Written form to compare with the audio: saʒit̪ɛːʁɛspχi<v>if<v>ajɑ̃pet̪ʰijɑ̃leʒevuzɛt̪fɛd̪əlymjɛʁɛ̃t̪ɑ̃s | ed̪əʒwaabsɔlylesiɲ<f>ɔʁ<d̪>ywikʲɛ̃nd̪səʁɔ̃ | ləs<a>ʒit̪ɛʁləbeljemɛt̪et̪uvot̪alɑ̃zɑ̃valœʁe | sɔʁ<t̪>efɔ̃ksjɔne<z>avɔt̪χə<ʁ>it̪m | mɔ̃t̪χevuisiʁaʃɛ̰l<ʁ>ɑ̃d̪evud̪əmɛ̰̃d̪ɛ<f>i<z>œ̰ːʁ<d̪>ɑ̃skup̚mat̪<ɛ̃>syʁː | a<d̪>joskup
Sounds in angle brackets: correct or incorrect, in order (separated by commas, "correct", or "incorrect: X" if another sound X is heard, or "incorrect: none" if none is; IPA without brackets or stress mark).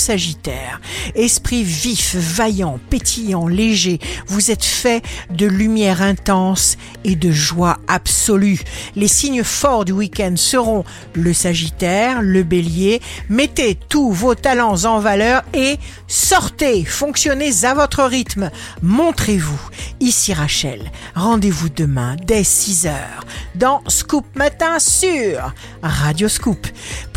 correct, correct, correct, correct, correct, correct, correct, correct, correct, incorrect: s, correct, correct, correct, correct